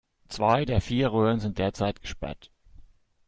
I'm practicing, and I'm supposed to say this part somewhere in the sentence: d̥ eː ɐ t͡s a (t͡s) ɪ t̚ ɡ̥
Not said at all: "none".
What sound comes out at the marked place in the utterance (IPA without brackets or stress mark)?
none